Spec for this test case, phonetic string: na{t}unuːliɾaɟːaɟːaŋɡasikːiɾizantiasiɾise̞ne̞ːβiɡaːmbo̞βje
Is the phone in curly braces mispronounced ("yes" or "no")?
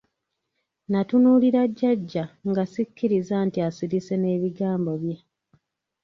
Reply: no